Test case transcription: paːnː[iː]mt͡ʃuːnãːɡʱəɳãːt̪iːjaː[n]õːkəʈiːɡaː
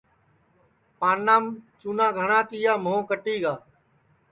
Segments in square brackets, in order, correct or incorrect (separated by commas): incorrect, incorrect